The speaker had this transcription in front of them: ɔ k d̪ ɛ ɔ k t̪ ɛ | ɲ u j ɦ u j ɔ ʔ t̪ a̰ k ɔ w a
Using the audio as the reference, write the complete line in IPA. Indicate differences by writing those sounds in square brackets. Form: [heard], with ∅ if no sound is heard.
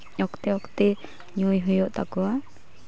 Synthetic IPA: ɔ k [t̪] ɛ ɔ k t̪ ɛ | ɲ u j ɦ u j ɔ ʔ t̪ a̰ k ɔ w a